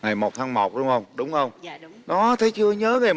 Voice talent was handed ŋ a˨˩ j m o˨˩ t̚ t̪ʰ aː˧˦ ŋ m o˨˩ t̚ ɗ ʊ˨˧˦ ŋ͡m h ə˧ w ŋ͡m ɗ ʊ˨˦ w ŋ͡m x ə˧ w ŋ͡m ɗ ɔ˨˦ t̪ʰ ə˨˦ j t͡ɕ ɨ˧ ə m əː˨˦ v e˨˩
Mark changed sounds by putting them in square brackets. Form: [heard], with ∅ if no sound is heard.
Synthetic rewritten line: ŋ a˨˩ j m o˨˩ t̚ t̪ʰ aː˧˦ ŋ m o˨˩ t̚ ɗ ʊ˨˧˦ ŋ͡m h ə˧ w ŋ͡m ɗ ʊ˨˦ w ŋ͡m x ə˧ w ŋ͡m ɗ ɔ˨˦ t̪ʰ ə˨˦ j t͡ɕ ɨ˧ ə [ɲ] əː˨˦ v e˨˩